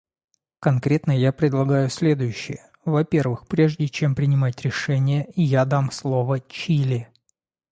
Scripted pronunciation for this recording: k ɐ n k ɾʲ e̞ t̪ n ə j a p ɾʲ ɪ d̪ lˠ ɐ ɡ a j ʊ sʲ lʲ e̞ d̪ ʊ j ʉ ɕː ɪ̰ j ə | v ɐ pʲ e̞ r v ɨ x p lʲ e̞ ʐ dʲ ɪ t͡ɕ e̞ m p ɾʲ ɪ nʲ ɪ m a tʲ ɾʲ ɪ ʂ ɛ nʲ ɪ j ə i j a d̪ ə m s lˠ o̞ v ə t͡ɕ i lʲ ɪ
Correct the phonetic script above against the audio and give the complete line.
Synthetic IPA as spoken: k ɐ n k ɾʲ e̞ t̪ n ə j a p ɾʲ ɪ d̪ lˠ ɐ ɡ a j ʊ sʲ lʲ e̞ d̪ ʊ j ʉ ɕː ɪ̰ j ə | v ɐ pʲ e̞ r v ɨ x p ɾʲ e̞ ʐ dʲ ɪ t͡ɕ e̞ m p ɾʲ ɪ nʲ ɪ m a tʲ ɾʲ ɪ ʂ ɛ nʲ ɪ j ə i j a d̪ a m s lˠ o̞ v ə t͡ɕ i lʲ ɪ